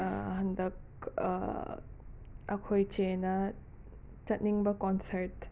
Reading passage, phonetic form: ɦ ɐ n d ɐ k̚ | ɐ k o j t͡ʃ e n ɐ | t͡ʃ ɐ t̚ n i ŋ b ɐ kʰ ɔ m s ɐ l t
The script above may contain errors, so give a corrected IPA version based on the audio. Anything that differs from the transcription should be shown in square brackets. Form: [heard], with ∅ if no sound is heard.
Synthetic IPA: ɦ ɐ n d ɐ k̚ | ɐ [kʰ] o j t͡ʃ e n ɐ | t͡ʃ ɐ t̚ n i ŋ b ɐ [k] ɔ [n] s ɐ [ɾ] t